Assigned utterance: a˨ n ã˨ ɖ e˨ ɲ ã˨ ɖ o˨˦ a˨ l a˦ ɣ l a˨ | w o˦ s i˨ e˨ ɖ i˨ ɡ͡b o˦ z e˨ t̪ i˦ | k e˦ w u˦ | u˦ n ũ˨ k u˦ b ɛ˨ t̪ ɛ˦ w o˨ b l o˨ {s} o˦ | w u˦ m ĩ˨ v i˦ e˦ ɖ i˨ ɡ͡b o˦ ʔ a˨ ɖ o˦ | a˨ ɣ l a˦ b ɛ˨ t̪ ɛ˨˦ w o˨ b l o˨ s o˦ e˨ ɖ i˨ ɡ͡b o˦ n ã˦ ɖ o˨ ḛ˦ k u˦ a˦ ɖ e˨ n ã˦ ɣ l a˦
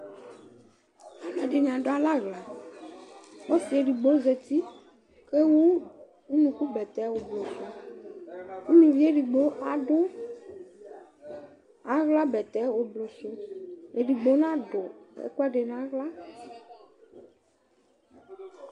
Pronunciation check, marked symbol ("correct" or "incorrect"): correct